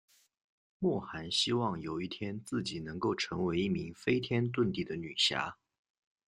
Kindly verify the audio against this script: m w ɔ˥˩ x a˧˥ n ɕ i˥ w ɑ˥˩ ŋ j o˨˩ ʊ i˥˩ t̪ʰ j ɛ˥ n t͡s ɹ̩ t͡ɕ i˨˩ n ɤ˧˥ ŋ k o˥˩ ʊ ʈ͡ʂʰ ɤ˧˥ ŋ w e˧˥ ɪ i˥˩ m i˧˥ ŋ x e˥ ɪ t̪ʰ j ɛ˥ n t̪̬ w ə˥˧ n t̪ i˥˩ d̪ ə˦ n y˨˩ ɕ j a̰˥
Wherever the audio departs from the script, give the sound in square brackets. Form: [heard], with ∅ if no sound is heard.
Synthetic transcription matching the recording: m w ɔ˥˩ x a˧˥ n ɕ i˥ w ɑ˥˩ ŋ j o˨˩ ʊ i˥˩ t̪ʰ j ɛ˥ n t͡s ɹ̩ t͡ɕ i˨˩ n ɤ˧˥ ŋ k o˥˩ ʊ ʈ͡ʂʰ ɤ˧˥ ŋ w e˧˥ ɪ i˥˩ m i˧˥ ŋ [f] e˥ ɪ t̪ʰ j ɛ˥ n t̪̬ w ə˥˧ n t̪ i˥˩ d̪ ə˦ n y˨˩ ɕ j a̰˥